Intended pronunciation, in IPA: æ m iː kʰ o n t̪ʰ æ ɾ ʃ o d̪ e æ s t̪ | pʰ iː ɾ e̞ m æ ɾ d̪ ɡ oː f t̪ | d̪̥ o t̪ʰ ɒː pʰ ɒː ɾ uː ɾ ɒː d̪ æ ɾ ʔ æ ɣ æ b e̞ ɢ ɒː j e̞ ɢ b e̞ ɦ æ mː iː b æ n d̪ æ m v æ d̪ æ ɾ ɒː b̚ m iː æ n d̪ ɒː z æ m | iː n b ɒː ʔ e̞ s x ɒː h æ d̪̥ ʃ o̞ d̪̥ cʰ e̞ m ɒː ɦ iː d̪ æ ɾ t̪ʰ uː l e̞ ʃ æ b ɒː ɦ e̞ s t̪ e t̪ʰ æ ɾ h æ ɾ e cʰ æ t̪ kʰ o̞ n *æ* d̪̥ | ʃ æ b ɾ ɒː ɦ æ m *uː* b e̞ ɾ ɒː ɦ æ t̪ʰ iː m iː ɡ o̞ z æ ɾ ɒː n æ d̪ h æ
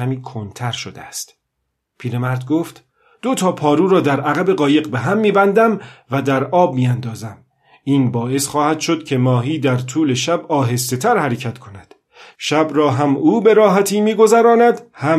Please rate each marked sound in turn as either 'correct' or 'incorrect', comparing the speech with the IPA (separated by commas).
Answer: correct, correct